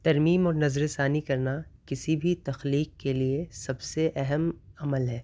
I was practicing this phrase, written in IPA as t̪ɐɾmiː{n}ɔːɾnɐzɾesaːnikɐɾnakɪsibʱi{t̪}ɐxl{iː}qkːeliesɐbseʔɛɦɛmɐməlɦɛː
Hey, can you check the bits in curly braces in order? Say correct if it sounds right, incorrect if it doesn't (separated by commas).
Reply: incorrect, correct, correct